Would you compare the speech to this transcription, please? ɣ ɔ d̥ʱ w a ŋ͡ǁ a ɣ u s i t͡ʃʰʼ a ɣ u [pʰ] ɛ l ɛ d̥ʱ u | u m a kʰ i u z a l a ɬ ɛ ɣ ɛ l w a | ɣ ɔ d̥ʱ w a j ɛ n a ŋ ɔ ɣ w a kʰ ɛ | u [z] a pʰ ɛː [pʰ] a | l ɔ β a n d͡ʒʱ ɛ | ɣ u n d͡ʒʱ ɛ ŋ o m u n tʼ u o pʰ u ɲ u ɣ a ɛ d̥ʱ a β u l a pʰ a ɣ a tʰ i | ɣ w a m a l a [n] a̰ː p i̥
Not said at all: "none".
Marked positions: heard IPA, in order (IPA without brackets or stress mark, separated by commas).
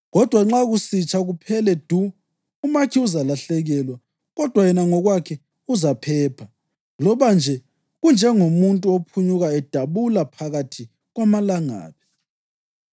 pʰ, z, pʰ, ŋ